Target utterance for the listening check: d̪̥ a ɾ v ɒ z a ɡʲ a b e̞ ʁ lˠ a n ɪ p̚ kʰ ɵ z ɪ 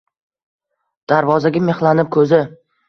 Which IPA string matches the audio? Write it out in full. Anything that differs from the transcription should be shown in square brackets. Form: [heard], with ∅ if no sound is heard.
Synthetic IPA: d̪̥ a ɾ v ɒ z a ɡʲ a [m] e̞ [χ] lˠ a n ɪ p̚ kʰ ɵ z ɪ